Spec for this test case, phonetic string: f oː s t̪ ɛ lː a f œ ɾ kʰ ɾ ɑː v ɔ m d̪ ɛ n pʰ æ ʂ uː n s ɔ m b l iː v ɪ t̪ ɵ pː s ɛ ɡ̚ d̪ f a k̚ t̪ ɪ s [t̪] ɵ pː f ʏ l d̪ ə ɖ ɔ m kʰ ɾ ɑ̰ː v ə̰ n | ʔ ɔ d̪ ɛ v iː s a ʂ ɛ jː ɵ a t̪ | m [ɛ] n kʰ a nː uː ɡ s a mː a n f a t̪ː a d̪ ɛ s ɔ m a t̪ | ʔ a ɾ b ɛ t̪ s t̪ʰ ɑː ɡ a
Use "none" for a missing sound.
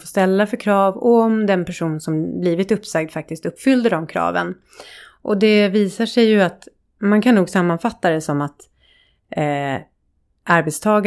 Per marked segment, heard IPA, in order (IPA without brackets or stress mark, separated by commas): t̪, a